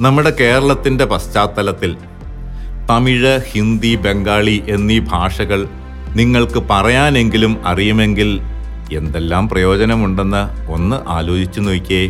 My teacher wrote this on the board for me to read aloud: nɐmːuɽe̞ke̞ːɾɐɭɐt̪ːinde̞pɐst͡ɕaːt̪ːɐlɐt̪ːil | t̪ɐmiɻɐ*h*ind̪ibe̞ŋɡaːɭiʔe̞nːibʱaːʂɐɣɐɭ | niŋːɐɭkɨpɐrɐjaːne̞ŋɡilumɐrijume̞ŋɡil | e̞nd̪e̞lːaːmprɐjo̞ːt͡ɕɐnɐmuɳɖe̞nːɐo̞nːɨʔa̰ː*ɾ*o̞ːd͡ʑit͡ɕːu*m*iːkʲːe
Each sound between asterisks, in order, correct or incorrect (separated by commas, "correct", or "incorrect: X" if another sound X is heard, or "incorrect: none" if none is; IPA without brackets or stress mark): correct, incorrect: l, incorrect: n